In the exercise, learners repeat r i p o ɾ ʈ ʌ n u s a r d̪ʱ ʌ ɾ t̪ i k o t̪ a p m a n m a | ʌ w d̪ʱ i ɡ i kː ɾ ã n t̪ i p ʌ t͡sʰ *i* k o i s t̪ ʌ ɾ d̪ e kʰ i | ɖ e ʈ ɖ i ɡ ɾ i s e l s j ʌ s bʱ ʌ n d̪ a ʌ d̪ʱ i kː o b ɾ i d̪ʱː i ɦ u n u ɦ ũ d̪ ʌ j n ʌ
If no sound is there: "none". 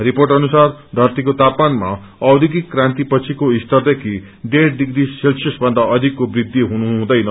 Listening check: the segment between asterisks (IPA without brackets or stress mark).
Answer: i